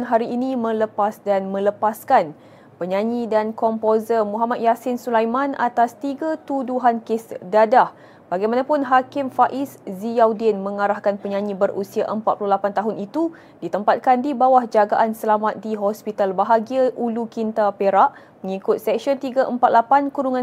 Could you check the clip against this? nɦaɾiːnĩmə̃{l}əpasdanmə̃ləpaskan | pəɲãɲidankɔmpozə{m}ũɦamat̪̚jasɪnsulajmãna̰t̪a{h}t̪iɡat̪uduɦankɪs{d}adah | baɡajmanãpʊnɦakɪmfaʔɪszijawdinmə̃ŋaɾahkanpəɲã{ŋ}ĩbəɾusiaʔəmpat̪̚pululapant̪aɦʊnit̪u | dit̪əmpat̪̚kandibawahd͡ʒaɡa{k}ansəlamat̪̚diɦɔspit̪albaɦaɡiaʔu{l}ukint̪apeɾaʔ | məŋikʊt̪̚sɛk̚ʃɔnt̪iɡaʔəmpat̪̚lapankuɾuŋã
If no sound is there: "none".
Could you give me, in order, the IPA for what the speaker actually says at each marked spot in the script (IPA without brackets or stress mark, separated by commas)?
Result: l, m, s, d, ɲ, ʔ, l